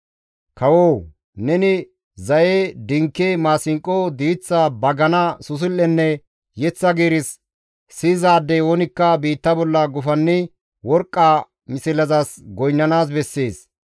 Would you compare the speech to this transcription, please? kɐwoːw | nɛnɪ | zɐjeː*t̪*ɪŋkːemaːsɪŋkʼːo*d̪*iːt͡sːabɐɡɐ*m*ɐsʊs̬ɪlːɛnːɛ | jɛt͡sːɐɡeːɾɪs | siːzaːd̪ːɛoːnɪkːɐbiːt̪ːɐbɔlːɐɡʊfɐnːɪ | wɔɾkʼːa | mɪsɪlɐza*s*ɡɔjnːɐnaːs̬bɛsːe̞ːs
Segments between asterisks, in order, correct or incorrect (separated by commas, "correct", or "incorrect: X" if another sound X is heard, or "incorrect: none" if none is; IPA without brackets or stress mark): incorrect: d̪, correct, incorrect: n, correct